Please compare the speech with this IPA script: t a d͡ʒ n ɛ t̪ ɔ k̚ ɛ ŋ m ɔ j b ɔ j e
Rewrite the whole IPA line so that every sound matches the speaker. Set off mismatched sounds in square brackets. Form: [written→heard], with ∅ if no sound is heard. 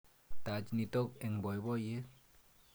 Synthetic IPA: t a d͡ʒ n [ɛ→i] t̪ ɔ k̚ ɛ ŋ [m→b] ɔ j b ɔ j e